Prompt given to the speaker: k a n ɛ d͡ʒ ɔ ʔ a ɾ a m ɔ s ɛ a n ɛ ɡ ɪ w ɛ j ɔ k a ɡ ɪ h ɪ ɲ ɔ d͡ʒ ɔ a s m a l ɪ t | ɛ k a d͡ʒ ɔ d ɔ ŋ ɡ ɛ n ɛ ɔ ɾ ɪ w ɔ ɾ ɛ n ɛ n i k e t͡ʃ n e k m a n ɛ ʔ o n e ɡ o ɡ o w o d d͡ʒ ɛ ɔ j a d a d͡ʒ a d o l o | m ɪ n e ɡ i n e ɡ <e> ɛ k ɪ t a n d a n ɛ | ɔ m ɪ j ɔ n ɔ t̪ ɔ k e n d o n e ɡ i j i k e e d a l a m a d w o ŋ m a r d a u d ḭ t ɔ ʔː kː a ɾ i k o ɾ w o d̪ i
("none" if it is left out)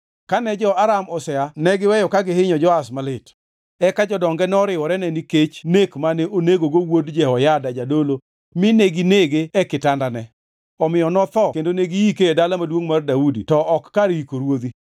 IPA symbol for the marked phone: e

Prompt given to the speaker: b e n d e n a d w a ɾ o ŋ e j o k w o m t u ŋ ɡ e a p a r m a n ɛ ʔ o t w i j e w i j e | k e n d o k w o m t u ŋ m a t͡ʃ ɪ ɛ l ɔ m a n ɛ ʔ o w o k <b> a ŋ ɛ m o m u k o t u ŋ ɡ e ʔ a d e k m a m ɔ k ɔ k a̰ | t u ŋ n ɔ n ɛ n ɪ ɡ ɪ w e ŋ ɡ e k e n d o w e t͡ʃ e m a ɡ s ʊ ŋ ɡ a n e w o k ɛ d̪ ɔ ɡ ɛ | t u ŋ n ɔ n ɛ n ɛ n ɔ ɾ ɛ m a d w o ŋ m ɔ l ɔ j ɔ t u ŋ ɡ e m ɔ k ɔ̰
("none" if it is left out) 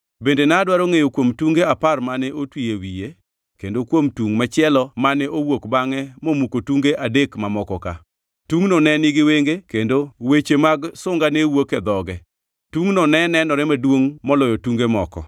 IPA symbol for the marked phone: b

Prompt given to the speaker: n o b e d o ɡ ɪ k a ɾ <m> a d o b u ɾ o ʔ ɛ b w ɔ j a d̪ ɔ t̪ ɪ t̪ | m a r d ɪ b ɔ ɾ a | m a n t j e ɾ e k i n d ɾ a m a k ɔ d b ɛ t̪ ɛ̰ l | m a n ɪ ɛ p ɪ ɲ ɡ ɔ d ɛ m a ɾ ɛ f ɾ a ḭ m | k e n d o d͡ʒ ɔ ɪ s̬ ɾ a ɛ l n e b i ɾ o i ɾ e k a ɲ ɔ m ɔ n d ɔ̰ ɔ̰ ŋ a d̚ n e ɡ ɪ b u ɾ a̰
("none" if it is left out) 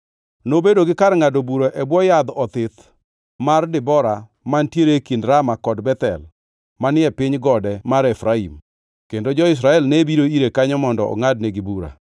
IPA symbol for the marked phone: ŋ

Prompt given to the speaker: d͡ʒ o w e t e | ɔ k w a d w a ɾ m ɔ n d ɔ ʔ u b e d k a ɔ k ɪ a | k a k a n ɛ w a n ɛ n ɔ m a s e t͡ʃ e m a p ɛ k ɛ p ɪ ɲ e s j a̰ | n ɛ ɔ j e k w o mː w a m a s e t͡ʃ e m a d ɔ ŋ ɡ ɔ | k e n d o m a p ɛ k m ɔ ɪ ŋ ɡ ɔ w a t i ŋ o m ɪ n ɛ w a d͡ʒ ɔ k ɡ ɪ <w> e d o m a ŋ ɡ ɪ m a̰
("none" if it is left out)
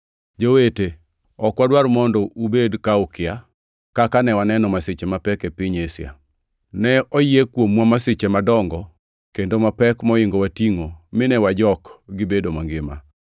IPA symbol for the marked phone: b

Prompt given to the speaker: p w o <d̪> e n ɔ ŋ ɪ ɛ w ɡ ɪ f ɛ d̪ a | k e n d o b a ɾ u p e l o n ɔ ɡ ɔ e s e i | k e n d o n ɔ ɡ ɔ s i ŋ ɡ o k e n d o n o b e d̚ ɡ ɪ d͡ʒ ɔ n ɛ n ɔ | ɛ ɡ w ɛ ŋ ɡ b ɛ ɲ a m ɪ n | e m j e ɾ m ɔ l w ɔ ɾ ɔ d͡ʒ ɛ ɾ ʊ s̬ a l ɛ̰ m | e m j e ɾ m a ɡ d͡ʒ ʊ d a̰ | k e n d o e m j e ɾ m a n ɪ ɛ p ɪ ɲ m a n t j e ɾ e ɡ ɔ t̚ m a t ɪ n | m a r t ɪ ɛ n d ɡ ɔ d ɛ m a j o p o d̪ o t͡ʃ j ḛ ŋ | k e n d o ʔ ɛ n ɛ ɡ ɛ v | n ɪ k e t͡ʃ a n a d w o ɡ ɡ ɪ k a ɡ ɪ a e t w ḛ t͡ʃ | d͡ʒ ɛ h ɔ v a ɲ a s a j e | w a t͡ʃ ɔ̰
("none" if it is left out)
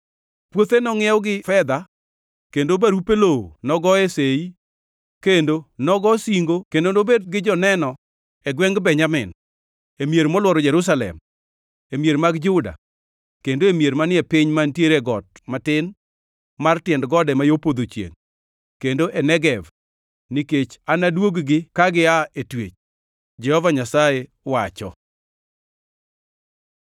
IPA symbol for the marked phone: t̪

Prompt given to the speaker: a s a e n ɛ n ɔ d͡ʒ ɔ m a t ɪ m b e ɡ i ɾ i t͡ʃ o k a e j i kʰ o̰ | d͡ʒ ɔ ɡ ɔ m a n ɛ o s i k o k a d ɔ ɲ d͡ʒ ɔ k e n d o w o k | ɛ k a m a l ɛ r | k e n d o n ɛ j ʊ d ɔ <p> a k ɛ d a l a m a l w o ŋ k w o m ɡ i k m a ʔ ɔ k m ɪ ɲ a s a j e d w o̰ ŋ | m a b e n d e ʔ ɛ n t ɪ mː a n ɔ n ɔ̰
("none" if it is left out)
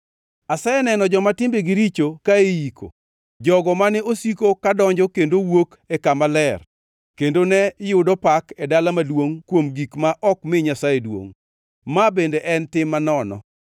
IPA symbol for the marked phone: p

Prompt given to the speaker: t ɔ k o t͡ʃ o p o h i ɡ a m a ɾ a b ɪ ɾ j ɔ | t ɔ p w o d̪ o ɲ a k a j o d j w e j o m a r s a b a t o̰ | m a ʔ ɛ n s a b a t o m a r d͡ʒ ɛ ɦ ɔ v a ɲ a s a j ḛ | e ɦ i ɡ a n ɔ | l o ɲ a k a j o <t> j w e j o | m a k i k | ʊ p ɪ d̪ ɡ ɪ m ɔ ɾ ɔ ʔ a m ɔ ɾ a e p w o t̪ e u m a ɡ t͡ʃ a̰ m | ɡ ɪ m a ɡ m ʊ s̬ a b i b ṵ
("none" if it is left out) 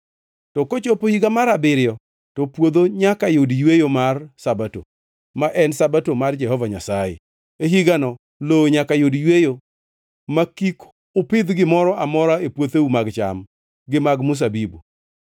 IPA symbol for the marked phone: d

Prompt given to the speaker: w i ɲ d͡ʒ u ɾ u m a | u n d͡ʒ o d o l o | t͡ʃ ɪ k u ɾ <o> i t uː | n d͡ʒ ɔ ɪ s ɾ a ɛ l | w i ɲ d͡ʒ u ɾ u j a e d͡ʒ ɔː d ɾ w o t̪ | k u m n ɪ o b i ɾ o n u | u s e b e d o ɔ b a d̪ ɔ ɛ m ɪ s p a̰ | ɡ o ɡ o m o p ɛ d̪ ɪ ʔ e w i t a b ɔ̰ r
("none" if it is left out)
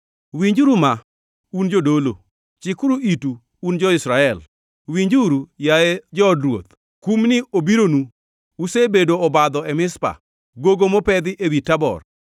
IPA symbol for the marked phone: u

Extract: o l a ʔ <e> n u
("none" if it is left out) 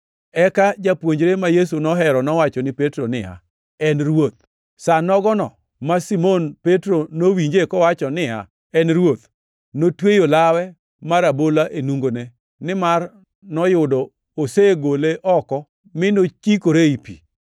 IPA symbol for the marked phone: e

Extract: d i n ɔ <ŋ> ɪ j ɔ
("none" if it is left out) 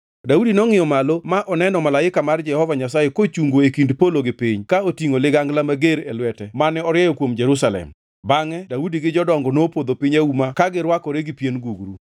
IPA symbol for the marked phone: ŋ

